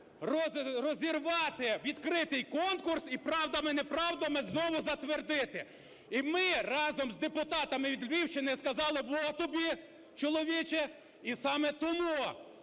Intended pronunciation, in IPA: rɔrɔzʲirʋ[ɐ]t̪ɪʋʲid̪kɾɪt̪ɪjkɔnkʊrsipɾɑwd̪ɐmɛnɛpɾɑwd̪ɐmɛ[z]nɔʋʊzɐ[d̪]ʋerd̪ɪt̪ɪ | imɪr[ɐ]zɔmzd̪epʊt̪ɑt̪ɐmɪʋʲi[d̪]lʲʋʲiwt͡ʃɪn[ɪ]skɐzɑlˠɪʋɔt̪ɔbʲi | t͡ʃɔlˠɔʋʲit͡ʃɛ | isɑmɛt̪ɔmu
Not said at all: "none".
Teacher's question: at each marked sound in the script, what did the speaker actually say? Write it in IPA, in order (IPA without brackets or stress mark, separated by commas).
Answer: ɑ, z, t̪, ɑ, d̪, ɪ